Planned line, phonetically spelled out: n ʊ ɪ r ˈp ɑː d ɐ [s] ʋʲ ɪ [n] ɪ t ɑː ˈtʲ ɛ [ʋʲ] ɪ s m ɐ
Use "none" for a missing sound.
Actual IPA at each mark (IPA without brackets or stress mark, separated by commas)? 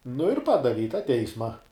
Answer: none, none, none